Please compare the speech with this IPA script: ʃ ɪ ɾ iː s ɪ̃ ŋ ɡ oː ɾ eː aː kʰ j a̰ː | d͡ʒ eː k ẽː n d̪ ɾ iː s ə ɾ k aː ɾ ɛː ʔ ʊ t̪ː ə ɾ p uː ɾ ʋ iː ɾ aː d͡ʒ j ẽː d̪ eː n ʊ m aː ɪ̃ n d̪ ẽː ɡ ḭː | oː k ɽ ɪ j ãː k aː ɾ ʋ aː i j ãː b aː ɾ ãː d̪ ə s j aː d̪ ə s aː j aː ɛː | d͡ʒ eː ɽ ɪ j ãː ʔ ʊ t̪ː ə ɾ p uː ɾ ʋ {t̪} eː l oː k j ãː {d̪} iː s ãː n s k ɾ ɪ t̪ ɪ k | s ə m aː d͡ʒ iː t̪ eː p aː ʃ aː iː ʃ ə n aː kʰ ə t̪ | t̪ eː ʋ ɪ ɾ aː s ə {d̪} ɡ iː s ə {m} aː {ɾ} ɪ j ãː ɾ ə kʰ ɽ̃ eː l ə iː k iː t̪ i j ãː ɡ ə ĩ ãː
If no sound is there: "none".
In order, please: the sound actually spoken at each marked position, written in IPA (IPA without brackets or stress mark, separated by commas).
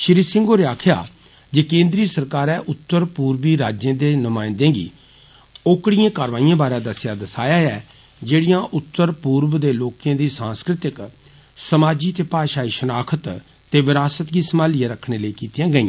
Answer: d̪, d̪, t̪, m, l